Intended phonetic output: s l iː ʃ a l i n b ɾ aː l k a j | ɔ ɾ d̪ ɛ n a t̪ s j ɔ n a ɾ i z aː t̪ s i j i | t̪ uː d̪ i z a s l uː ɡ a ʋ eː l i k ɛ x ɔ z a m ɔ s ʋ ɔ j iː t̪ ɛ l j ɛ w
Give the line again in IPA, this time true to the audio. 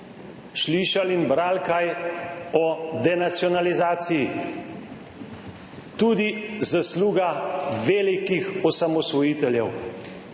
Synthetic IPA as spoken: ʃ l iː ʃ a l i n b ɾ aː l k a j | ɔ d̪ ɛ n a t̪ s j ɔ n a l i z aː t̪ s i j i | t̪ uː d̪ i z a s l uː ɡ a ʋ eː l i k i x ɔ s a m ɔ s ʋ ɔ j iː t̪ ɛ l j ɛ w